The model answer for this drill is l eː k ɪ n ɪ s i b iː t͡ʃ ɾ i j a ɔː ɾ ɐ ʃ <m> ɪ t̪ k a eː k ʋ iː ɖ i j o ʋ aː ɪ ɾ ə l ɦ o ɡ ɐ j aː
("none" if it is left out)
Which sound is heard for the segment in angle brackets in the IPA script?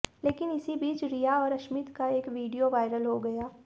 m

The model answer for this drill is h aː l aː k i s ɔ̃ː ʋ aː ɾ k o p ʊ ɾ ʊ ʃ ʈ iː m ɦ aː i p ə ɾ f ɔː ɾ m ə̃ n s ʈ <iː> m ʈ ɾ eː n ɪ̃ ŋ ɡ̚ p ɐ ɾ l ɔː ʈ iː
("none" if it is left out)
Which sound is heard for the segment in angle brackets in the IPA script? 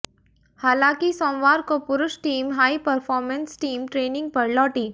iː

